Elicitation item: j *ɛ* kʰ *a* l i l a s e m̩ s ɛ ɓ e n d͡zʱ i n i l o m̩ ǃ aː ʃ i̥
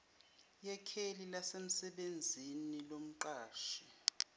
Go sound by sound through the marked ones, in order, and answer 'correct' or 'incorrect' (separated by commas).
correct, incorrect